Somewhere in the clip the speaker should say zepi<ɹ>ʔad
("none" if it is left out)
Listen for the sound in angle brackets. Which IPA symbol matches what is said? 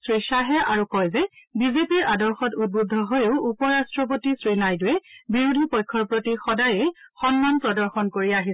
ɹ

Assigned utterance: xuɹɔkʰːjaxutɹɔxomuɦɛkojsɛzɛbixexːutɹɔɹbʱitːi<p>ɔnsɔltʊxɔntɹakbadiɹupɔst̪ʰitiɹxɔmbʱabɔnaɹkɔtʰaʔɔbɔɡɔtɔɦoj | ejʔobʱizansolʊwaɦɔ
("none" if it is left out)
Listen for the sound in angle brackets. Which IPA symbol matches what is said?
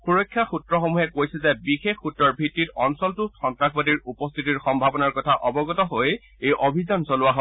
t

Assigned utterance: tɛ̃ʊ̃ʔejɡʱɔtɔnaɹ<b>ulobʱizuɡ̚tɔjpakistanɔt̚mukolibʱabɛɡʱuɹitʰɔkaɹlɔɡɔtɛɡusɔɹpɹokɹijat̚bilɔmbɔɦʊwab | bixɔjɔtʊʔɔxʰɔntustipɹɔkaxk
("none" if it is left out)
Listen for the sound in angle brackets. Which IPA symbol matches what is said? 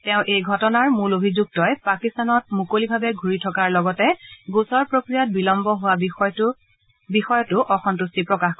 m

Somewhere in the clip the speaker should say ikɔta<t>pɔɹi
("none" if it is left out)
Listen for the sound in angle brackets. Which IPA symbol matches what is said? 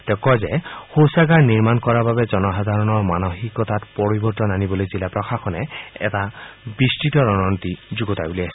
t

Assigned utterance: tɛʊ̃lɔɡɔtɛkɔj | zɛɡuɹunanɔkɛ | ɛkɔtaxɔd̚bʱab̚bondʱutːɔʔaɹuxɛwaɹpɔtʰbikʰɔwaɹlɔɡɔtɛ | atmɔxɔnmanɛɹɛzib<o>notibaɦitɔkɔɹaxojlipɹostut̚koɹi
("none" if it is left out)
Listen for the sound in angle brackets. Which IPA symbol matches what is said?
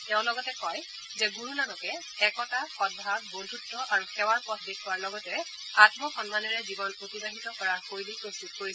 ɔ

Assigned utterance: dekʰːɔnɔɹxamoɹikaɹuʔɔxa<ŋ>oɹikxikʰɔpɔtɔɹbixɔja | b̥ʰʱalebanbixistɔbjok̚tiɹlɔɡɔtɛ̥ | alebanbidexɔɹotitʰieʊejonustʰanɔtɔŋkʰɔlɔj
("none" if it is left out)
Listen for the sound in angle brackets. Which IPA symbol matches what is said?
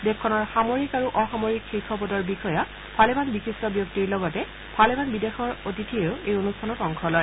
m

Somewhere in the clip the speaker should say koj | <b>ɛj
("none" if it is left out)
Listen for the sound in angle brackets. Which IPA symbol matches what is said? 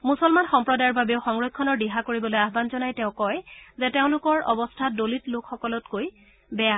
b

